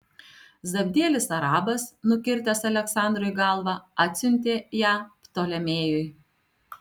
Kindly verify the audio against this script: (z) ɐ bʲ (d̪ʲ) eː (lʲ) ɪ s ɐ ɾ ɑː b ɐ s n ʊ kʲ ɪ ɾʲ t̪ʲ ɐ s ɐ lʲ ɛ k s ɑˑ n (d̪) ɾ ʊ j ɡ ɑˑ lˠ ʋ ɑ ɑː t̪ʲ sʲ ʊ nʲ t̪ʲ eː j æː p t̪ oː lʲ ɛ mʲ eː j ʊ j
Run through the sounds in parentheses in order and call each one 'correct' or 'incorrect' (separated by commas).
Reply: correct, correct, correct, correct